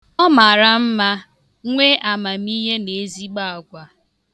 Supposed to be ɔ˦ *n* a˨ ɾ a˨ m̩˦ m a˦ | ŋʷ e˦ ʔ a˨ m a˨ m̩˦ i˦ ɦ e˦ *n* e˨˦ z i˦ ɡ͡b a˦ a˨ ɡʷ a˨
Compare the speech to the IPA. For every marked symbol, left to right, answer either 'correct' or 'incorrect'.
incorrect, correct

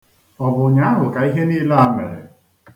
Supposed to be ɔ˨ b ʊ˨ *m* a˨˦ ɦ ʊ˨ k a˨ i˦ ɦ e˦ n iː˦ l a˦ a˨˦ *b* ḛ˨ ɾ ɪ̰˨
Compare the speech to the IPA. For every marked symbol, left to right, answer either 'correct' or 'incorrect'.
incorrect, incorrect

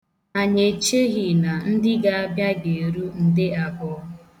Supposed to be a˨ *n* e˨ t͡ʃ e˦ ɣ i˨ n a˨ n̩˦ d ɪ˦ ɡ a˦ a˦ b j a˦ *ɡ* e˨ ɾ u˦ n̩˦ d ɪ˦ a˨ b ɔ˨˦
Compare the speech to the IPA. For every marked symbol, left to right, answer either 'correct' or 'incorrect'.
incorrect, correct

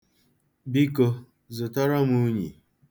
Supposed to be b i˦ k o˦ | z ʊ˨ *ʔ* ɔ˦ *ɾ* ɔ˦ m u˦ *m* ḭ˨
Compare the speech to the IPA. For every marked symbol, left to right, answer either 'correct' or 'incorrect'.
incorrect, correct, incorrect

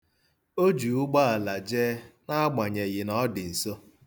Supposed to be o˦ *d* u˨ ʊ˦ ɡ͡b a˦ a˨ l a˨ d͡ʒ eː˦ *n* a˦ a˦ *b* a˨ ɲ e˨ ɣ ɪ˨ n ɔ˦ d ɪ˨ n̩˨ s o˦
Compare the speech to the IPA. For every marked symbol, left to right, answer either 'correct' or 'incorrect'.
incorrect, correct, incorrect

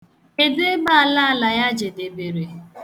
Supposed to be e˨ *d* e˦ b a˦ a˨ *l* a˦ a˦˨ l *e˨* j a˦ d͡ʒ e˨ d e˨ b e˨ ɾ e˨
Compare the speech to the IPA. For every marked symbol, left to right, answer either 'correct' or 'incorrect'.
correct, correct, incorrect

